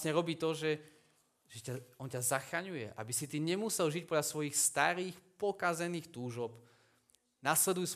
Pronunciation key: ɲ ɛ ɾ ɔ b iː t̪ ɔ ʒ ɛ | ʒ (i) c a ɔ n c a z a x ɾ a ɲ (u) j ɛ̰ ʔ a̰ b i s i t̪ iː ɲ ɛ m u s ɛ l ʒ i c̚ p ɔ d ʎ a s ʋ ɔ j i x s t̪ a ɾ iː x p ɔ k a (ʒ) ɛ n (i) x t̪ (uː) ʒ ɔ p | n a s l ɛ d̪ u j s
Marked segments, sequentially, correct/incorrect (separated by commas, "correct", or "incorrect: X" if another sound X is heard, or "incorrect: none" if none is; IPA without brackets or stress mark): incorrect: ɛ, correct, incorrect: z, incorrect: iː, correct